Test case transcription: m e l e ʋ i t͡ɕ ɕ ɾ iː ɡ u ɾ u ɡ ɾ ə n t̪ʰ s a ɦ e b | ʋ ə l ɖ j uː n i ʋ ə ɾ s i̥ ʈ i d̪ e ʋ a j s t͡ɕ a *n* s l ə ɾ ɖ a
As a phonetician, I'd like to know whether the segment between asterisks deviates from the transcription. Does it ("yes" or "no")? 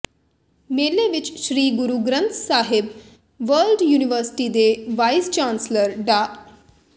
no